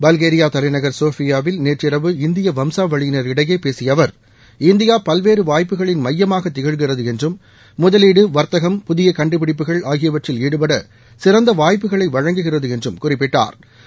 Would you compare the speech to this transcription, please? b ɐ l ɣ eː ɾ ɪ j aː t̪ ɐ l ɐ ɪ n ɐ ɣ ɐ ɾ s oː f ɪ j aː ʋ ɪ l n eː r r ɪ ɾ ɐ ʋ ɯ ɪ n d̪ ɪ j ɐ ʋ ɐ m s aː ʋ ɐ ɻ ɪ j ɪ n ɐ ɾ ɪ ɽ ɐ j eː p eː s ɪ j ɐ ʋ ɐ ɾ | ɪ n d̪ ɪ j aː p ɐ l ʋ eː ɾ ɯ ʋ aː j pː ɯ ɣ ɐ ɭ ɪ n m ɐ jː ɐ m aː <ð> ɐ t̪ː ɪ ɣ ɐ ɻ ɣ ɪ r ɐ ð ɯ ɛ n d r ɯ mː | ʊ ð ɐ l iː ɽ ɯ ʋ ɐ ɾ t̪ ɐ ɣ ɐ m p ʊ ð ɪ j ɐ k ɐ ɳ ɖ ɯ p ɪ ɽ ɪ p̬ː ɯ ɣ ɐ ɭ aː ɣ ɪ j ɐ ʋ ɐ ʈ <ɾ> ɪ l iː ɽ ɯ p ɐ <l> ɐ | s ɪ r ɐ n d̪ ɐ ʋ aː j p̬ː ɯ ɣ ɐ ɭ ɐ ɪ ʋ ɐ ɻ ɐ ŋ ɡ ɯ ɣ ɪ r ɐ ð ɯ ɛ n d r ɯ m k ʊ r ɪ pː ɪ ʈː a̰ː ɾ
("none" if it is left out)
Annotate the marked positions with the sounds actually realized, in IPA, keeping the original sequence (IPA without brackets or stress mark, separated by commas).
ɣ, r, ɽ